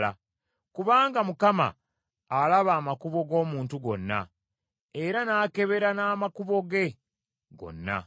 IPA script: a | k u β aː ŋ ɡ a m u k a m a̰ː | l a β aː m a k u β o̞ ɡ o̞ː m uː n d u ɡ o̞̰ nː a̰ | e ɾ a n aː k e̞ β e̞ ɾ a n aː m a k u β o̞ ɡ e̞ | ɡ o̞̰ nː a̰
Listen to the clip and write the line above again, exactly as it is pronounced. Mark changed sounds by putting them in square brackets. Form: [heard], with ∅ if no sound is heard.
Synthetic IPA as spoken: a | k u β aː ŋ ɡ a m u k a m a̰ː | l a β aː m a k u β o̞ ɡ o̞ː m uː n [t] u ɡ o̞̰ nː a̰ | e ɾ a n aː k e̞ β e̞ ɾ a n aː m a k u β o̞ ɡ e̞ | ɡ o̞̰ nː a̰